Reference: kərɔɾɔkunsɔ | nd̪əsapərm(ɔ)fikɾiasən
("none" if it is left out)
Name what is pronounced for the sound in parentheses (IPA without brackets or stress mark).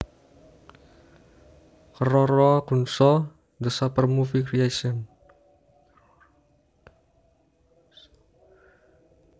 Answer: u